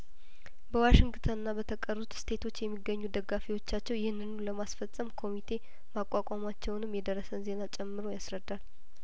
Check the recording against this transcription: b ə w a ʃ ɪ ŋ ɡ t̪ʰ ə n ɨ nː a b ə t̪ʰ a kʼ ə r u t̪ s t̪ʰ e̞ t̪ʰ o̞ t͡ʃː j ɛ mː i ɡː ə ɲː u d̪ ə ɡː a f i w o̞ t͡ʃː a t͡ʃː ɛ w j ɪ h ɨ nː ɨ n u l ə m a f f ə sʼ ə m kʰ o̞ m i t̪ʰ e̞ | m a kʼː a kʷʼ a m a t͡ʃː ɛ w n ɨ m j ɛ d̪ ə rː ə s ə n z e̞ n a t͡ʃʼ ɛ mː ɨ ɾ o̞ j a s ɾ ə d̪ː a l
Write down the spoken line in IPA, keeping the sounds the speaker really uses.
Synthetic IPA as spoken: b ə w a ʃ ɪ ŋ ɡ t̪ʰ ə n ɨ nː a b ə t̪ʰ ə kʼ ə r u t̪ s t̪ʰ e̞ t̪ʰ o̞ t͡ʃː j ɛ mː i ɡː ə ɲː u d̪ ə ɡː a f i w o̞ t͡ʃː a t͡ʃː ɛ w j ɪ h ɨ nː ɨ n u l ə m a s f ə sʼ ə m kʰ o̞ m i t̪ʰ e̞ | m a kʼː a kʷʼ a m a t͡ʃː ɛ w n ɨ m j ɛ d̪ ə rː ə s ə n z e̞ n a t͡ʃʼ ɛ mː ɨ ɾ o̞ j a s ɾ ə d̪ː a l